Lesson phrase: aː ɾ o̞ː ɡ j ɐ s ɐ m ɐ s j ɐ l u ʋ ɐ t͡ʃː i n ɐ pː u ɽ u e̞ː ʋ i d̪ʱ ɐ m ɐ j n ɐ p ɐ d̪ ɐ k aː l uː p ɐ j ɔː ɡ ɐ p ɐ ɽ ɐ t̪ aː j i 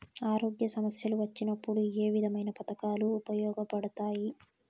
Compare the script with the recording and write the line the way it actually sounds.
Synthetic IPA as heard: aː ɾ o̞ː ɡ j ɐ s ɐ m ɐ s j ɐ l u ʋ ɐ t͡ʃː i n ɐ pː u ɽ u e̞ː ʋ i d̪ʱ ɐ m ɐ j n ɐ p ɐ t̪ ɐ k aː l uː p ɐ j ɔː ɡ ɐ p ɐ ɽ ɐ t̪ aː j i